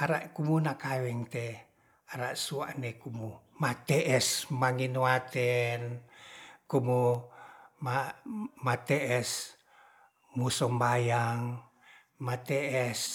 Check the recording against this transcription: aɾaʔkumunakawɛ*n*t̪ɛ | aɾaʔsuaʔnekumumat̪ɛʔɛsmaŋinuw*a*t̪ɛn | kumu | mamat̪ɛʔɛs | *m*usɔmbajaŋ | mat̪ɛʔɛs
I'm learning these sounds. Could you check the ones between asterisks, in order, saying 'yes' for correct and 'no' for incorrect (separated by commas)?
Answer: no, yes, yes